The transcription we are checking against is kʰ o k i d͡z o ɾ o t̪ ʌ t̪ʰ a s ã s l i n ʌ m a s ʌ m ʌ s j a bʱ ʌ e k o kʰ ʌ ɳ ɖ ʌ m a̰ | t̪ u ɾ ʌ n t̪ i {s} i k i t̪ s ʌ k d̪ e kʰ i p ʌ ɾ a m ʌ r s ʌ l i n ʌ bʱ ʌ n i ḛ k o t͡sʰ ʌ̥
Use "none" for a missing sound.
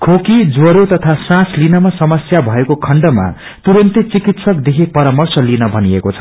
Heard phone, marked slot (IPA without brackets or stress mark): t͡s